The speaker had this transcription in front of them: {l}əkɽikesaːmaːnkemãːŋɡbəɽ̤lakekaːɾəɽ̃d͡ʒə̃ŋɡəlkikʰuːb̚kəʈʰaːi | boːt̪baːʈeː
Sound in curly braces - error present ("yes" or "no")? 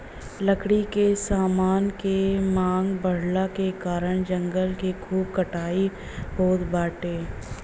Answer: no